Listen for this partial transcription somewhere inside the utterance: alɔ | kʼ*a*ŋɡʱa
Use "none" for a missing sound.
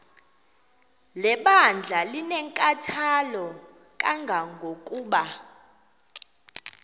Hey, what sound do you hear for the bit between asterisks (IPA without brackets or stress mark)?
a